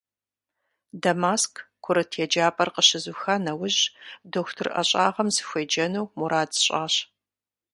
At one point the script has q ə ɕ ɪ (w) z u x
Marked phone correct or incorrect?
incorrect